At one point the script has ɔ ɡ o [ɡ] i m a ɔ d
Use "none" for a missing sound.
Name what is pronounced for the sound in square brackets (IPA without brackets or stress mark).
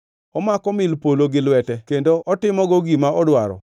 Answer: ɡ